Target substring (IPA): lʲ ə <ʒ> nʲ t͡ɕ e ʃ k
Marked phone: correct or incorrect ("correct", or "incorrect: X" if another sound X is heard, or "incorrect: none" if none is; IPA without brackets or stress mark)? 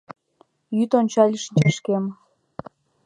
incorrect: ʃ